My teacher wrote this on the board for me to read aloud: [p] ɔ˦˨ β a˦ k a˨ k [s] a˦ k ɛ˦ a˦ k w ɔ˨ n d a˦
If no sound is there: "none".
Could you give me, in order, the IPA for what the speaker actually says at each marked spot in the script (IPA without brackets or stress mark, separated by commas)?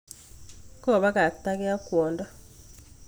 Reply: k, t